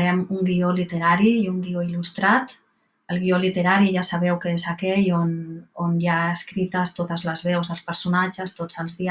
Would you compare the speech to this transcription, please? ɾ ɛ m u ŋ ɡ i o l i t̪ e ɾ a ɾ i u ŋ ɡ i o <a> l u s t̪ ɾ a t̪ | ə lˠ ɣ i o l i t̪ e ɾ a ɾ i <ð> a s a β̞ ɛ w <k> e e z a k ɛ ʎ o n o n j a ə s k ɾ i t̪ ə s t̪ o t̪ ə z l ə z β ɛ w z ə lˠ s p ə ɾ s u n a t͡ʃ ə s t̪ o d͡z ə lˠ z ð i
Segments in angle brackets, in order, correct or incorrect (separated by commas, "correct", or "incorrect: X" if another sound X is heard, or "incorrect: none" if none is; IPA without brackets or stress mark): incorrect: i, incorrect: ʒ, correct